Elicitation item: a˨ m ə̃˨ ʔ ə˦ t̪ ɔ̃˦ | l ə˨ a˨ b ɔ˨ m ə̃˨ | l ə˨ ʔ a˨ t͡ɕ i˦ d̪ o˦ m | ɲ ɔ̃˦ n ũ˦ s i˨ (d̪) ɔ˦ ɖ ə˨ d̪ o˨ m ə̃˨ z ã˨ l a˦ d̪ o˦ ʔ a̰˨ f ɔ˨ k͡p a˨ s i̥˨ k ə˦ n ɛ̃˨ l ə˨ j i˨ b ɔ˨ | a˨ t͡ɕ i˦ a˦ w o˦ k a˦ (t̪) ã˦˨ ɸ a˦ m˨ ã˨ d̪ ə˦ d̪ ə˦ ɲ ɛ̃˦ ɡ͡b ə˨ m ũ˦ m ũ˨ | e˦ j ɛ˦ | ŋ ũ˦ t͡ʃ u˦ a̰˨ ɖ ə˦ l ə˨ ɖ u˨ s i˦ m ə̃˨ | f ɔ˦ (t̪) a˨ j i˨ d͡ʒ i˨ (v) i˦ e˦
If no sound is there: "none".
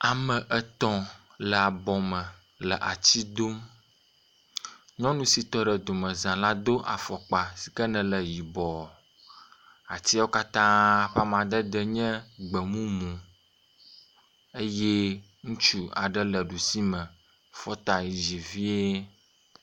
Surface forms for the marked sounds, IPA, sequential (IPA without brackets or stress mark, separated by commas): t̪, t̪, t̪, v